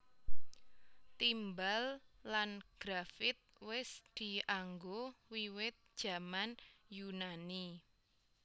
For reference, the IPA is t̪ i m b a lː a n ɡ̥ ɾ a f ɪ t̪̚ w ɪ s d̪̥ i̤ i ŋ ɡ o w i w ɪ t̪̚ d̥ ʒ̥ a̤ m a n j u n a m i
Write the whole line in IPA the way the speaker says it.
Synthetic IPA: t̪ i m b a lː a n ɡ̥ ɾ a f ɪ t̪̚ w ɪ s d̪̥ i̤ a ŋ ɡ o w i w ɪ t̪̚ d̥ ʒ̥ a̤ m a n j u n a n i